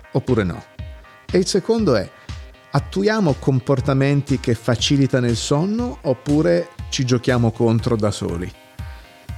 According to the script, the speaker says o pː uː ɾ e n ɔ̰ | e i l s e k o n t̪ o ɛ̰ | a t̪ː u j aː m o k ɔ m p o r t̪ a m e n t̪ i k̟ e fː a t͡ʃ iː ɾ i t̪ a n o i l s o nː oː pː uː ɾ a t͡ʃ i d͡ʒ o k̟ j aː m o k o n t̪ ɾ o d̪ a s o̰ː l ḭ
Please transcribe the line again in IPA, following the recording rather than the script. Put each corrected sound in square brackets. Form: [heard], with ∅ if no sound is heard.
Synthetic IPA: o pː uː ɾ e n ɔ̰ | e i l s e k o n [d̪] o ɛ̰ | a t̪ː u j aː m o k [o] m p o r t̪ a m e n t̪ i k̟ e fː a t͡ʃ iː [l] i t̪ a n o i l s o nː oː pː uː ɾ [e] t͡ʃ i d͡ʒ o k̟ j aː m o k o n t̪ ɾ o d̪ a s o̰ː l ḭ